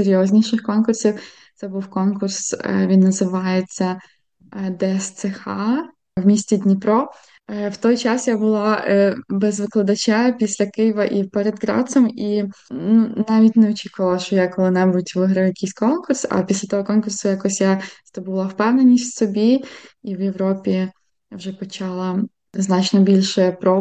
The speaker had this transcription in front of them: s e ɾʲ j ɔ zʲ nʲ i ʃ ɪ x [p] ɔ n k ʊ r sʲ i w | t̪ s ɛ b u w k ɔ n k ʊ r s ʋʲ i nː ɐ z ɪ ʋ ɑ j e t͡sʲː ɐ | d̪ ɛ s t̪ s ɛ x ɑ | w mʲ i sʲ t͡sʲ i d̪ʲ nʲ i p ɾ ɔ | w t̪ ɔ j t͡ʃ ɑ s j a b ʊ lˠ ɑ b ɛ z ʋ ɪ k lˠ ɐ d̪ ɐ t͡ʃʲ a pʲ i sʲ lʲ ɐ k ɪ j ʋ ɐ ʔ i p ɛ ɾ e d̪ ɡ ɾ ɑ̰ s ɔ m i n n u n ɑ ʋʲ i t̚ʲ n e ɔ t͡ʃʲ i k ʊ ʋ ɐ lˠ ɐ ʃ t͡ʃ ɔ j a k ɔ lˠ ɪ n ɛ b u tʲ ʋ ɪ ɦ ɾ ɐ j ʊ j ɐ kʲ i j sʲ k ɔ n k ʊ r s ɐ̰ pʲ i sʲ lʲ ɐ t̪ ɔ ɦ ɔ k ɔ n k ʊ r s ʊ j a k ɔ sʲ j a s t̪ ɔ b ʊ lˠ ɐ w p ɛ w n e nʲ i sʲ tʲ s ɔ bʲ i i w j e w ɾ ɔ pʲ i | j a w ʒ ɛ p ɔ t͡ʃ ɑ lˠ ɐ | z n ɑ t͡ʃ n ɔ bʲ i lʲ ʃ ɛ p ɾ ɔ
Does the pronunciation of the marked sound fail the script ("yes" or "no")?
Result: yes